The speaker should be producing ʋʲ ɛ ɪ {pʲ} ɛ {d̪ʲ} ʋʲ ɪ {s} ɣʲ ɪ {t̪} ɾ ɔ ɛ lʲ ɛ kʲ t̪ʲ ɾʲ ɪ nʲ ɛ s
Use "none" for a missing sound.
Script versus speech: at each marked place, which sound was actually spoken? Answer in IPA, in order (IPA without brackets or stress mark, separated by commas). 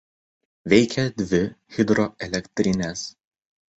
kʲ, d̪ʲ, none, d̪